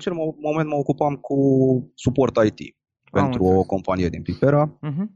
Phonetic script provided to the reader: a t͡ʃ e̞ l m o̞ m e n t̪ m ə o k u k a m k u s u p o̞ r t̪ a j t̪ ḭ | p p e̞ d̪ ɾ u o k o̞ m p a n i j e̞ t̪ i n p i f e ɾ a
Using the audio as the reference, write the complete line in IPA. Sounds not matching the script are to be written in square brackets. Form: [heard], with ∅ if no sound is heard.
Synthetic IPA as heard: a t͡ʃ e̞ l m o̞ m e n t̪ m ə o k u [p] a m k u s u p o̞ r t̪ a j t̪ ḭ | p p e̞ [t̪] ɾ u o k o̞ m p a n i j e̞ [d̪] i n p i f e ɾ a